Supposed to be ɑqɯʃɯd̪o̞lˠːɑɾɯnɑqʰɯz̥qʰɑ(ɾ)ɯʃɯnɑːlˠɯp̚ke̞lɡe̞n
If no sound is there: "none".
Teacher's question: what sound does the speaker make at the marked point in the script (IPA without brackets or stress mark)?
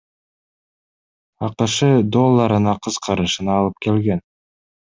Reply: ɾ